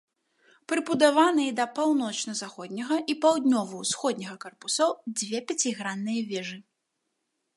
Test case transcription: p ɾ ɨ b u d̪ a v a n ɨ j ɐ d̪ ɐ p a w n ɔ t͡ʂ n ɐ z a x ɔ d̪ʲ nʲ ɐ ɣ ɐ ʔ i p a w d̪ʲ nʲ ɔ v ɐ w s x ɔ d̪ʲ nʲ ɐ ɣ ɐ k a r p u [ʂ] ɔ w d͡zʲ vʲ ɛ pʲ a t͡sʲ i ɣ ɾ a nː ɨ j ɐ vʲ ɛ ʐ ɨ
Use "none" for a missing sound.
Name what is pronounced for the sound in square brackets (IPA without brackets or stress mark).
s